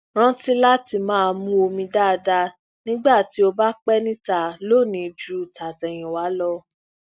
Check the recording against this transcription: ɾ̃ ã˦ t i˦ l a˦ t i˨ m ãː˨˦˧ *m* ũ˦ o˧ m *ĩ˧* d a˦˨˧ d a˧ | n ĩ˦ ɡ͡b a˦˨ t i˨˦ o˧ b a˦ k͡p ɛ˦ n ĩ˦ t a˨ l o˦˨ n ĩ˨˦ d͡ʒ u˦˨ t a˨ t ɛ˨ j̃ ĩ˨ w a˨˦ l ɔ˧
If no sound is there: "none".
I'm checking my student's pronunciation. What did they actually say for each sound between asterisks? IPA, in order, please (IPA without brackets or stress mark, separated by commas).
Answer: m, ĩ˧